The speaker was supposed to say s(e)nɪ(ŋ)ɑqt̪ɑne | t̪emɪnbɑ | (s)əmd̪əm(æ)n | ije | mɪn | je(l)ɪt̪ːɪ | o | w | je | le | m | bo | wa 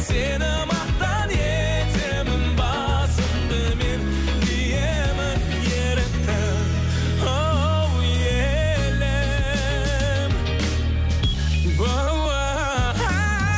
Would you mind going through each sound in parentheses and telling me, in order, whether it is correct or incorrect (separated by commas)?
correct, incorrect, correct, incorrect, incorrect